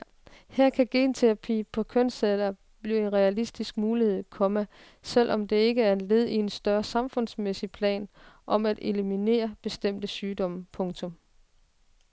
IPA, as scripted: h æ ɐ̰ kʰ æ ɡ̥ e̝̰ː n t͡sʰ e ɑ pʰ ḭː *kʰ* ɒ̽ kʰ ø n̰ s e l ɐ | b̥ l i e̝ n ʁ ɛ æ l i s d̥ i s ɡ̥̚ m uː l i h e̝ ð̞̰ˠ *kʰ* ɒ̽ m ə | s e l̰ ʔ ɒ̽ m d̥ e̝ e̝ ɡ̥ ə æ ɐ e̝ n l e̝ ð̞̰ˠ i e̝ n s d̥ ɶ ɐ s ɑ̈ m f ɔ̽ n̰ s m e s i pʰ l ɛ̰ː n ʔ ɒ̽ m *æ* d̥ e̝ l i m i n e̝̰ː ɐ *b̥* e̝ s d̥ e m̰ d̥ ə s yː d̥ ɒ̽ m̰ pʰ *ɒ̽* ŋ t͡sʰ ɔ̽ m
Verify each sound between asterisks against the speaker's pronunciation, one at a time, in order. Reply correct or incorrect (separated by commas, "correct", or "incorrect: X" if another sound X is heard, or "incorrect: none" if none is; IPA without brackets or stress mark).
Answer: incorrect: pʰ, correct, correct, correct, incorrect: ɔ̽